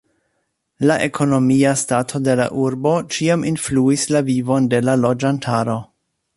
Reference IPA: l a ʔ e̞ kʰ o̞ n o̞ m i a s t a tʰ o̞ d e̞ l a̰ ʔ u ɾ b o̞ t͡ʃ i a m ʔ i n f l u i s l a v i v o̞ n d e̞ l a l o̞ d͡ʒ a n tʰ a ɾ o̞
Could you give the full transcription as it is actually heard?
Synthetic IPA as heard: l a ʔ e̞ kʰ o̞ n o̞ m i a s t a tʰ o̞ d e̞ l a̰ ʔ u ɾ b o̞ t͡ʃ i a m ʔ i n f l u i s l a v i v o̞ n d e̞ l a l o̞ d͡ʒ a n tʰ a ɾ o̞